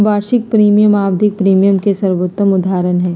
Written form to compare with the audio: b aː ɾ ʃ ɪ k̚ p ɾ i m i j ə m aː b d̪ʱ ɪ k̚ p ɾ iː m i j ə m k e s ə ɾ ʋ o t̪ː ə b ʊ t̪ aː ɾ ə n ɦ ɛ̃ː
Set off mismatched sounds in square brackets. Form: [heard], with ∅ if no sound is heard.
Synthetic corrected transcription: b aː ɾ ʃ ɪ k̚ p ɾ [iː] m i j ə m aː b d̪ʱ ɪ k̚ p ɾ iː m i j ə m k e s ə ɾ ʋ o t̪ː ə [m] ʊ [d̪] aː ɾ ə n ɦ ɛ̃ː